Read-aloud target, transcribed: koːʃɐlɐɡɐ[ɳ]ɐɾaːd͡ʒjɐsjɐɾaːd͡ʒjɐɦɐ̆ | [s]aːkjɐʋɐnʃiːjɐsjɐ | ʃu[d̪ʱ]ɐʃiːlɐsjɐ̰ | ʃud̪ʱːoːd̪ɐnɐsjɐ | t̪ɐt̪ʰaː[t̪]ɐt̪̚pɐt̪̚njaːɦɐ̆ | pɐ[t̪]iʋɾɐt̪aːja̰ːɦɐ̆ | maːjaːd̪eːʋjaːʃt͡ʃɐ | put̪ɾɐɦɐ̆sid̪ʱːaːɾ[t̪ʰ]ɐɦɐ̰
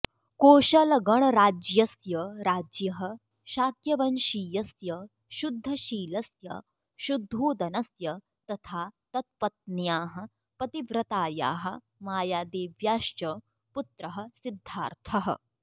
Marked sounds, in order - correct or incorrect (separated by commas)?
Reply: correct, incorrect, incorrect, correct, correct, correct